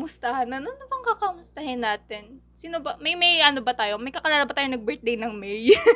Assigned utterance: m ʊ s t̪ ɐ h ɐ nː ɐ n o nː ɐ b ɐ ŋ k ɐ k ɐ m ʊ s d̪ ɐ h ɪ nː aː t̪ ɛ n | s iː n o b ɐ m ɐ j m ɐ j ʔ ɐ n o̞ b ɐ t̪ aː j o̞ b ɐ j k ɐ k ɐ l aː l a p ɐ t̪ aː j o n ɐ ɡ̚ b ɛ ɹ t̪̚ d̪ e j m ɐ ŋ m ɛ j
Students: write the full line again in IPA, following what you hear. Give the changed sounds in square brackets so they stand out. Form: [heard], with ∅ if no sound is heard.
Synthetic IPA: m ʊ s t̪ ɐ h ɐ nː ɐ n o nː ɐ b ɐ ŋ k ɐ k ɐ m ʊ s [t̪] ɐ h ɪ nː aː t̪ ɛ n | s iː n o b ɐ m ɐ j m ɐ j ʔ ɐ n o̞ b ɐ t̪ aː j o̞ [m] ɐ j k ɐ k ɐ l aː l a [b] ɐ t̪ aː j o n ɐ ɡ̚ b ɛ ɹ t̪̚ d̪ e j [n] ɐ ŋ m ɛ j